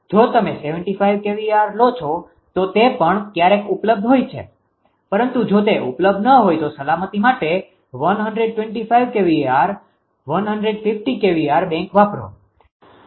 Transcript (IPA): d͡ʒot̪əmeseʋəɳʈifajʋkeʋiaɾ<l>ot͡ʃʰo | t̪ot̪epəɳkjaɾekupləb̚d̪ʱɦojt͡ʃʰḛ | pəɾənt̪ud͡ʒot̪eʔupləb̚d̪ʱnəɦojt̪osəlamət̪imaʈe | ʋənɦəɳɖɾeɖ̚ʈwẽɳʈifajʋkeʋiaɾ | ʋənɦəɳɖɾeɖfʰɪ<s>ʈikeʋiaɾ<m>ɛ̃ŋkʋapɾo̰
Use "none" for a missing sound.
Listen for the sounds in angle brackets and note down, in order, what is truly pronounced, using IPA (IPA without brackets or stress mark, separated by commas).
l, f, b